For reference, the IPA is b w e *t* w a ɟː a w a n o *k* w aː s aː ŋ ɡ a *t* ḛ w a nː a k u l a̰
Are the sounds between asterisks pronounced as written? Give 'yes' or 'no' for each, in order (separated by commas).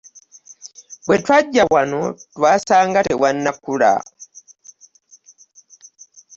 yes, no, yes